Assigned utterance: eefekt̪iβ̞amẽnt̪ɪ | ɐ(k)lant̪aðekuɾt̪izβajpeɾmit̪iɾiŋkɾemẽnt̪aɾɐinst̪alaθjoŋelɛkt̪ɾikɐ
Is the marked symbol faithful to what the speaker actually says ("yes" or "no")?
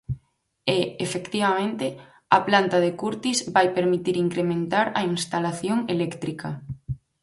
no